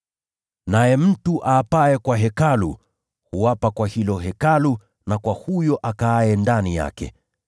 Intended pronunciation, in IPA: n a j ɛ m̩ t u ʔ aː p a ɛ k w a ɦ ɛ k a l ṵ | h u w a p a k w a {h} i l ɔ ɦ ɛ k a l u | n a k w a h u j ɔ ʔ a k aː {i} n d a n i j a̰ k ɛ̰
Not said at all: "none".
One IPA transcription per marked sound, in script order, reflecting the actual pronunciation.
h, ɛ

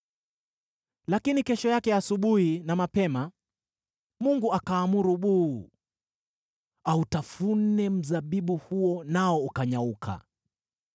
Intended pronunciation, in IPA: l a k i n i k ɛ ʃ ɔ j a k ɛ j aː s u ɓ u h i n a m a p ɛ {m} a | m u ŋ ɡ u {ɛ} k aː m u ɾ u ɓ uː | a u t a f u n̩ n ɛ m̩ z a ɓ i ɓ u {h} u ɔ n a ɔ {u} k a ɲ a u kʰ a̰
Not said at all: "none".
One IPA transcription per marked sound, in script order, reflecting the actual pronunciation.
m, a, h, u

